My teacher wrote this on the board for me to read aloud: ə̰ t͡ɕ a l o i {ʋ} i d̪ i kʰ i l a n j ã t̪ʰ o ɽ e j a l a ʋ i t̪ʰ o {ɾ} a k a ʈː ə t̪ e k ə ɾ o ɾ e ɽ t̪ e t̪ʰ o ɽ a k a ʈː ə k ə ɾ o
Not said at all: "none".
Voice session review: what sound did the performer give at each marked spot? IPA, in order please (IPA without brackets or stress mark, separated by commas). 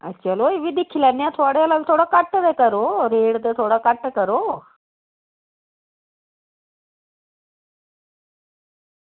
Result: ʋ, ɽ